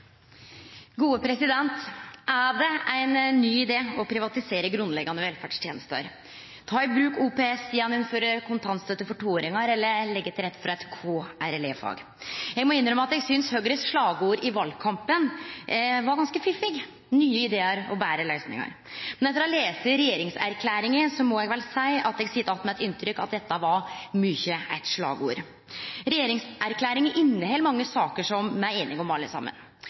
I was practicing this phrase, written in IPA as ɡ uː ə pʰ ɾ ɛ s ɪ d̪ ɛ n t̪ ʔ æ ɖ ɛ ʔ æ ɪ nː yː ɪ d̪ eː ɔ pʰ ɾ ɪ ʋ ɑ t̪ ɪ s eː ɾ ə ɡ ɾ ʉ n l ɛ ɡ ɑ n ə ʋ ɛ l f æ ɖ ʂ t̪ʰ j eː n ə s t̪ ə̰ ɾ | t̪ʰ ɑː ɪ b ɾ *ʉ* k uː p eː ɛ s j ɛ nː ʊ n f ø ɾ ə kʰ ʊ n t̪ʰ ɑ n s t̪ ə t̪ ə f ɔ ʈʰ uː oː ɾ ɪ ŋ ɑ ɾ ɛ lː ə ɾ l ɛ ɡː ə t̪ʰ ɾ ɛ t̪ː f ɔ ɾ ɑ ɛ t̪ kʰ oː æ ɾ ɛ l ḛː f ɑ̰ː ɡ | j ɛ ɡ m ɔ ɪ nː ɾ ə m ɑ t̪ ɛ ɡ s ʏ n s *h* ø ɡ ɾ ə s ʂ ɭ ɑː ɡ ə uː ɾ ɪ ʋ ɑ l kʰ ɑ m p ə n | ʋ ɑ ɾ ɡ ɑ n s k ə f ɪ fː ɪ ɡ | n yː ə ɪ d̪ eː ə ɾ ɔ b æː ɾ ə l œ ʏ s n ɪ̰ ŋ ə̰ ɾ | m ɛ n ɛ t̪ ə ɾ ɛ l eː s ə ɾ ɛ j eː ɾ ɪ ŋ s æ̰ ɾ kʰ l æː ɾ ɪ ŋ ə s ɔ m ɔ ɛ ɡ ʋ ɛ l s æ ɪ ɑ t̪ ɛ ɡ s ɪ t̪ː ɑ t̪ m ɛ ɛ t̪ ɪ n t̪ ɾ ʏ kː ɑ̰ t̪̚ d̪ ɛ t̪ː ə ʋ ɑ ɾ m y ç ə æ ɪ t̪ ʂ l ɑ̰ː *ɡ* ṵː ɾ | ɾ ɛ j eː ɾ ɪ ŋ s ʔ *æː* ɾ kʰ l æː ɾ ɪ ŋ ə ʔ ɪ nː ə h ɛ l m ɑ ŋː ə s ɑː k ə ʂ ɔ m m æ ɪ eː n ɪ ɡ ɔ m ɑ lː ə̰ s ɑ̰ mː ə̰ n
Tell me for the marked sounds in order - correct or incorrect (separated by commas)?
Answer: incorrect, correct, correct, incorrect